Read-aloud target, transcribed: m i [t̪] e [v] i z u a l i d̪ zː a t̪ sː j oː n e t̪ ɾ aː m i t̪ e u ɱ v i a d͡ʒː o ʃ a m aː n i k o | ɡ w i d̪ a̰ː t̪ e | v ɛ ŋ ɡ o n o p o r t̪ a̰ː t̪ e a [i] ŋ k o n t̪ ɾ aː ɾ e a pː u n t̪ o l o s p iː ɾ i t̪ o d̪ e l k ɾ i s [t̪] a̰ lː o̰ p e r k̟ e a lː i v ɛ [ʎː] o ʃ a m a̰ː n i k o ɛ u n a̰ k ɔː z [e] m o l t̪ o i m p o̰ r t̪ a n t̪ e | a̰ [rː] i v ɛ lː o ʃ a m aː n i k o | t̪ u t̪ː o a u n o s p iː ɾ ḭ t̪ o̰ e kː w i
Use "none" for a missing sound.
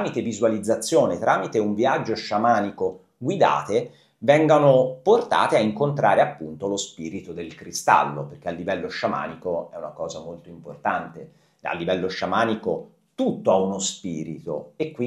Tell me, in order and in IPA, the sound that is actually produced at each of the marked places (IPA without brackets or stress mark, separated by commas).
t̪, v, i, t̪, lː, a, lː